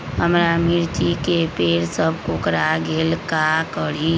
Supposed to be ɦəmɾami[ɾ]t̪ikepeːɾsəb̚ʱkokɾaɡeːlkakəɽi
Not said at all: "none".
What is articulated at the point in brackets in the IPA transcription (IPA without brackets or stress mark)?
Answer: ɾ